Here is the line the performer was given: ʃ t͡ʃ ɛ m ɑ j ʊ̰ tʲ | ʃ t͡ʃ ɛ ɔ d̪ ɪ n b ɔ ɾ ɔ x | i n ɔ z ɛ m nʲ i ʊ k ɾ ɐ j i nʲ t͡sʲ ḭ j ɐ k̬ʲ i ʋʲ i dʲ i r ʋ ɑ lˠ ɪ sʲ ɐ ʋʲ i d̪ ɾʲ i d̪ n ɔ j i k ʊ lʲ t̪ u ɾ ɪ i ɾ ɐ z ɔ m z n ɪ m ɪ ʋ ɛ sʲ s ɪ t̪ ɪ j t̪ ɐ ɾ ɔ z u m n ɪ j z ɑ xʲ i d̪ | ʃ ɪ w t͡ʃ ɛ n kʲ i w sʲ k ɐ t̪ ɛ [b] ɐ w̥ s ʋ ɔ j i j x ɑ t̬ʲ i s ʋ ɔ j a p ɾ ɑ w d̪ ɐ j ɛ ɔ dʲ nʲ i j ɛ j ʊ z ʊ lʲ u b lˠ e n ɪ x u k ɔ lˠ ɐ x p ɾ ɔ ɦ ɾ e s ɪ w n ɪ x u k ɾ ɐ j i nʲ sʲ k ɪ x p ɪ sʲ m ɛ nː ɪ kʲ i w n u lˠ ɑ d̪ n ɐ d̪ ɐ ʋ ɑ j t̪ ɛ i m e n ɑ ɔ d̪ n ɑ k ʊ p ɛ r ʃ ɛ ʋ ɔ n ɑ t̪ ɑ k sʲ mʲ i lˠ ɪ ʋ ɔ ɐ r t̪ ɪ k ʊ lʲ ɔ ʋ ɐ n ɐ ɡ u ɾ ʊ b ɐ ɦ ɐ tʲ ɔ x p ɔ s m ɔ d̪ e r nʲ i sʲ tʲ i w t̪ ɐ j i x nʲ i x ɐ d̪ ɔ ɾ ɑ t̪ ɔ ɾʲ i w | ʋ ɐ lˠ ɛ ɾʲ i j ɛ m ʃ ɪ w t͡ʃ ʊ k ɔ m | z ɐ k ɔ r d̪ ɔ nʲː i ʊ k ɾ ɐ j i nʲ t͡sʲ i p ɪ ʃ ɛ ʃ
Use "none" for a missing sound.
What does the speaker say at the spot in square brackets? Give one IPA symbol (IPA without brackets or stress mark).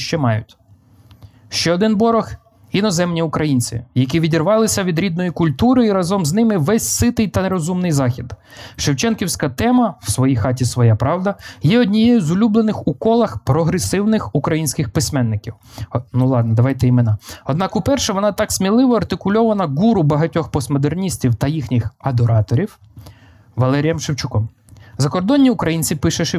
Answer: m